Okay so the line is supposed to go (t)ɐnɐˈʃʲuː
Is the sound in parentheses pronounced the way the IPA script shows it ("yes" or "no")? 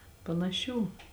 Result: no